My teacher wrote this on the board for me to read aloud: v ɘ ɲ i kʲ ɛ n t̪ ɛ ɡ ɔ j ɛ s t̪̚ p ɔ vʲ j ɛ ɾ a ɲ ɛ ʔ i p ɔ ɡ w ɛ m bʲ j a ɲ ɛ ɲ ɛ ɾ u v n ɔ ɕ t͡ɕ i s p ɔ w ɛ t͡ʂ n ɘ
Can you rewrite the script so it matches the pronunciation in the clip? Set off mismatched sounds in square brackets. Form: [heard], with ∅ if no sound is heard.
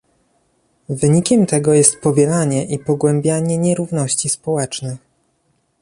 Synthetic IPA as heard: v ɘ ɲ i kʲ ɛ [m] t̪ ɛ ɡ ɔ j ɛ s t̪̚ p ɔ vʲ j ɛ [l] a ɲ ɛ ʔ i p ɔ ɡ w ɛ m bʲ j a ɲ ɛ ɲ ɛ ɾ u v n ɔ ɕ t͡ɕ i s p ɔ w ɛ t͡ʂ n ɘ